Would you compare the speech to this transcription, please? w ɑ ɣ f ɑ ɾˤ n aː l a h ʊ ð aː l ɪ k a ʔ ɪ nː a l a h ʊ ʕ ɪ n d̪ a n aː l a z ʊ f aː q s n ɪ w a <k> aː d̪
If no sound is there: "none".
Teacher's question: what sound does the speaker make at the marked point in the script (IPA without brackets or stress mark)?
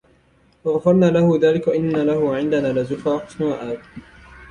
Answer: ʔ